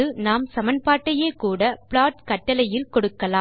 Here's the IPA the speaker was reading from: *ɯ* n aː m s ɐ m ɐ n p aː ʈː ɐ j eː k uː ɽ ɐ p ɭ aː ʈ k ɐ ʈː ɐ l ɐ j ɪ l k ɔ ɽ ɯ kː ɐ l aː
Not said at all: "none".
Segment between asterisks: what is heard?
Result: ɯ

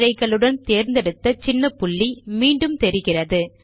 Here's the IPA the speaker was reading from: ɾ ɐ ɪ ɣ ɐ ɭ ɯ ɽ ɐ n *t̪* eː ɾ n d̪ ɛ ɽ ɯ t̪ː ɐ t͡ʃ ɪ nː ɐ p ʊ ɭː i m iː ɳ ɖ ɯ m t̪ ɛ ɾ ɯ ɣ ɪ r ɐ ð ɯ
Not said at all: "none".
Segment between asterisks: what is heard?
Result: t̪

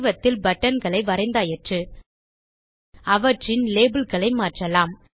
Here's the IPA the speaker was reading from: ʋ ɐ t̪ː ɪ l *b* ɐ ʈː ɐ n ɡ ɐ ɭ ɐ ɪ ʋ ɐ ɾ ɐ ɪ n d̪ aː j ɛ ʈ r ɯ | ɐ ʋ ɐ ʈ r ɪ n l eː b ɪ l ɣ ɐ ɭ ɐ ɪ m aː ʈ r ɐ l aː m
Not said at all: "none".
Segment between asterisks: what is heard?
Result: b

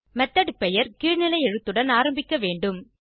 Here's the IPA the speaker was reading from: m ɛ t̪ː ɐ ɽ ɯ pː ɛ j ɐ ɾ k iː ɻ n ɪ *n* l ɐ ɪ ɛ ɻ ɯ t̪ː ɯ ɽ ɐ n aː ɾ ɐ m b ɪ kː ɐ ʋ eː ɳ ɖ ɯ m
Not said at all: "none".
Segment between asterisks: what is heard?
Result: none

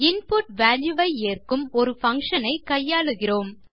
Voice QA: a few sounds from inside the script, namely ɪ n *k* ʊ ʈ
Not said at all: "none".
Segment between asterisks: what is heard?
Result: p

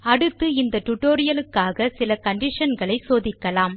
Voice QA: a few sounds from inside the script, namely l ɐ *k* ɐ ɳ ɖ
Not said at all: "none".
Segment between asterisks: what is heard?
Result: k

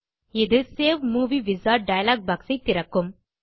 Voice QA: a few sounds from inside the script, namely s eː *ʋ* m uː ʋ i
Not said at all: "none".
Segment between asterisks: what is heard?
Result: ʋ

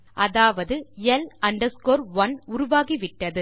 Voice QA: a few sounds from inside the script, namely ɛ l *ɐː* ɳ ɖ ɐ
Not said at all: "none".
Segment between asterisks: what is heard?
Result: ɐ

